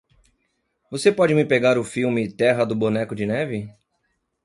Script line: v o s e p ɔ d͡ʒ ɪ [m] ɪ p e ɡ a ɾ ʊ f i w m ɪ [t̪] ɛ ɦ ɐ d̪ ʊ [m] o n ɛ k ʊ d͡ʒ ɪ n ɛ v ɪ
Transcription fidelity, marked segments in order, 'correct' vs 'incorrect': correct, correct, incorrect

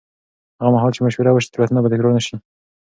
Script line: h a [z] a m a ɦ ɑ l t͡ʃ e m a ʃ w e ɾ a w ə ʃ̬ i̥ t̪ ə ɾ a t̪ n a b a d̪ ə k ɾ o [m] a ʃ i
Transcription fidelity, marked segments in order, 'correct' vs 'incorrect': incorrect, incorrect

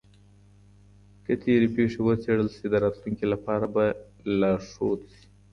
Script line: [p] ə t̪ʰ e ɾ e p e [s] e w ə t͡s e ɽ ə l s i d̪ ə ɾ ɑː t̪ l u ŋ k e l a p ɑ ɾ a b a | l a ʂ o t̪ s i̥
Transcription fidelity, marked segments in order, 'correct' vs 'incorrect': incorrect, incorrect

